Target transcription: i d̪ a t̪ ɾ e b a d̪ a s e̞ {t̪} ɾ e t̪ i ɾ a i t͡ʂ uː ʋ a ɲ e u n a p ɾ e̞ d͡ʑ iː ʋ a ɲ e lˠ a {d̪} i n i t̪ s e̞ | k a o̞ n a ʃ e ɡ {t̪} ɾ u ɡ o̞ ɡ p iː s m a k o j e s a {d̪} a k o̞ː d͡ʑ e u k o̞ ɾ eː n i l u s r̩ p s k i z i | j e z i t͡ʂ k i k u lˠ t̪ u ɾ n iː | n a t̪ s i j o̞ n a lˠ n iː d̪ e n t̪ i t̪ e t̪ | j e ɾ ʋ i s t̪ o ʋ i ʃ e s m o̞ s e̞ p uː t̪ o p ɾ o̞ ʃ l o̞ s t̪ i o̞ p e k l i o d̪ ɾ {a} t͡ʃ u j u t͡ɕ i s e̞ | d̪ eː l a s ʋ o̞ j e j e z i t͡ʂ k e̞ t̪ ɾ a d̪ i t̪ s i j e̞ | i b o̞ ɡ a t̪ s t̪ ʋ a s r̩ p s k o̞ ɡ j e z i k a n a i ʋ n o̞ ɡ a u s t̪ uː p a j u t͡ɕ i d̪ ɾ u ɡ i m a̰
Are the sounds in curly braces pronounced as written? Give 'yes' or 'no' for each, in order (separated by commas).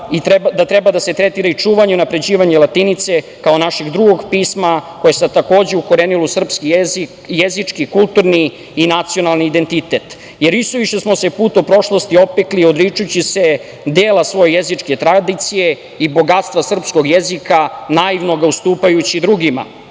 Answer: yes, no, no, no, no